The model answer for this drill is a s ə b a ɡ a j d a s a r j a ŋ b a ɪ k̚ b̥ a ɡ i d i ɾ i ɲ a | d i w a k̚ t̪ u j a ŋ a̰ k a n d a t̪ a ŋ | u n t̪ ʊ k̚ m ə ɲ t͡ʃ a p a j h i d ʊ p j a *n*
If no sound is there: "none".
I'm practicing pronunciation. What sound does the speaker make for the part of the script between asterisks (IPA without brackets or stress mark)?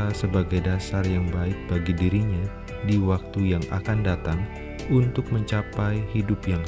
ŋ